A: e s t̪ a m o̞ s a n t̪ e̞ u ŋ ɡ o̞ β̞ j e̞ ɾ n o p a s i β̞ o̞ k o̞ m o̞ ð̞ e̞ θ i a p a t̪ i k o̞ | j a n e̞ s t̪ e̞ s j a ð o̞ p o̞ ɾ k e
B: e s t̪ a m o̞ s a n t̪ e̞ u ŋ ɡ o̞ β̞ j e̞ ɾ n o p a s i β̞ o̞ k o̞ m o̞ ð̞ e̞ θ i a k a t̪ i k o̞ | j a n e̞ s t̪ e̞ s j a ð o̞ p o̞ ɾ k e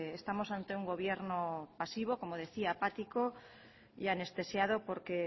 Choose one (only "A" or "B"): A